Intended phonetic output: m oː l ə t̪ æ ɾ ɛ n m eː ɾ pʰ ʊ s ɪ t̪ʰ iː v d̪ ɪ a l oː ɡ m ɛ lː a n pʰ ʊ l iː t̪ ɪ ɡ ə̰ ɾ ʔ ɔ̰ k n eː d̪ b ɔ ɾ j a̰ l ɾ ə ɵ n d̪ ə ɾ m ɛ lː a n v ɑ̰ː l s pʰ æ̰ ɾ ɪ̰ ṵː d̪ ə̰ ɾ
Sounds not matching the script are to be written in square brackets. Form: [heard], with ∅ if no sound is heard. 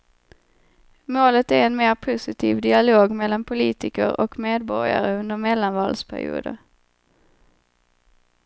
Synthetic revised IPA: m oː l ə t̪ æ ɾ ɛ n m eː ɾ pʰ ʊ s ɪ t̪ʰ iː v d̪ ɪ a l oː ɡ m ɛ lː a n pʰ ʊ l iː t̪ ɪ [k] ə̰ ɾ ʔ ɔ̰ k [m] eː d̪ b ɔ ɾ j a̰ [∅] ɾ ə ɵ n d̪ ə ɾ m ɛ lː a n v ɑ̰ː l s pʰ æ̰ ɾ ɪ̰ ṵː d̪ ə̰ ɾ